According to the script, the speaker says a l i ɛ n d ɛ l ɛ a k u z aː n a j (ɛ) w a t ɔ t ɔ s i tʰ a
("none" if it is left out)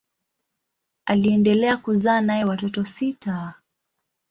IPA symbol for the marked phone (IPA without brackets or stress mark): ɛ